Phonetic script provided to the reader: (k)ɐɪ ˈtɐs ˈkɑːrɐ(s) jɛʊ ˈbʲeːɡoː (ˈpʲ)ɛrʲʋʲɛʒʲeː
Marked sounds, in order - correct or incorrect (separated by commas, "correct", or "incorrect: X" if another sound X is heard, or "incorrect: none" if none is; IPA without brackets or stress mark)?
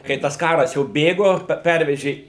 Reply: correct, correct, correct